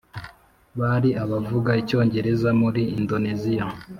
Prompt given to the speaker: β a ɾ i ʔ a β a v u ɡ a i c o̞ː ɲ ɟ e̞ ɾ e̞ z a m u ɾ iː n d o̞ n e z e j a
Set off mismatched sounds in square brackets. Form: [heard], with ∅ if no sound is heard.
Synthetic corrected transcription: β a ɾ i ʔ a β a v u ɡ a i c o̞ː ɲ ɟ e̞ ɾ e̞ z a m u ɾ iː n d o̞ n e z [i] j a